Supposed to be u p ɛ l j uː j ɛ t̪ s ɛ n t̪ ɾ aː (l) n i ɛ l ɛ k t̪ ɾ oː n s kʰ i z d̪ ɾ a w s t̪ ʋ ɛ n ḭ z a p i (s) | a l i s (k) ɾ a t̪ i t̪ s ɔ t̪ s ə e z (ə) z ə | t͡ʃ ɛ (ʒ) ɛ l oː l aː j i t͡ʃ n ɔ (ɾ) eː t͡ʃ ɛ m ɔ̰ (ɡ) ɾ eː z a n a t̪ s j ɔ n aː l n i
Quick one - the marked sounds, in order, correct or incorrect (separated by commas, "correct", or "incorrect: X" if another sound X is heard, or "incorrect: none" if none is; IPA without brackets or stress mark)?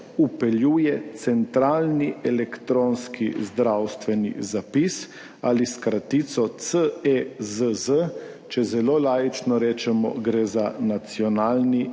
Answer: correct, correct, correct, correct, incorrect: z, correct, correct